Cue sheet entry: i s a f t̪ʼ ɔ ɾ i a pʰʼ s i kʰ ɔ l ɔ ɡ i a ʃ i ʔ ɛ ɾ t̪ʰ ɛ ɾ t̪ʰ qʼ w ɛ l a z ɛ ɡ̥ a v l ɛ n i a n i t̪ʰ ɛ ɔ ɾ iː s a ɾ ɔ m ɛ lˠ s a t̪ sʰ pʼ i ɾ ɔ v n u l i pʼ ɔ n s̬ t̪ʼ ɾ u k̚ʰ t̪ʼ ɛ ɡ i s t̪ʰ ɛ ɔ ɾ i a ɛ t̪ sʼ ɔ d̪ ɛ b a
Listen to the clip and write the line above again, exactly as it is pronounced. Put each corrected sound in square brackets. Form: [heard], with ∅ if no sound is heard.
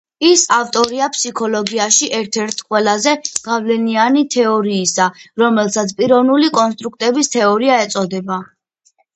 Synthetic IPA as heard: i s a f t̪ʼ ɔ ɾ i a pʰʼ s i kʰ ɔ l ɔ ɡ i a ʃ i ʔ ɛ ɾ t̪ʰ ɛ ɾ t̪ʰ qʼ w ɛ l a z ɛ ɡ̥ a v l ɛ n i a n i t̪ʰ ɛ ɔ ɾ iː s a ɾ ɔ m ɛ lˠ s a t̪ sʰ pʼ i ɾ ɔ v n u l i [kʼ] ɔ n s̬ t̪ʼ ɾ u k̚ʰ t̪ʼ ɛ [b] i s t̪ʰ ɛ ɔ ɾ i a ɛ t̪ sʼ ɔ d̪ ɛ b a